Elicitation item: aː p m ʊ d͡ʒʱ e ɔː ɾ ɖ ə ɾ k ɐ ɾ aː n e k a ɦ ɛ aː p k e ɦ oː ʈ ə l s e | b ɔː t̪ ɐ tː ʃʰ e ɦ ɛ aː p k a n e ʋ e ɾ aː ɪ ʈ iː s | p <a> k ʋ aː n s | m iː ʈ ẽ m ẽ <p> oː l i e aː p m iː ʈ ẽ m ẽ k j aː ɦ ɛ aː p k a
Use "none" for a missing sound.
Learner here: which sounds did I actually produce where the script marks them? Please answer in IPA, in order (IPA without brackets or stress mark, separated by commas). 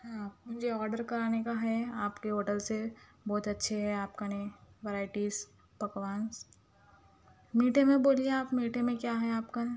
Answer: ɐ, b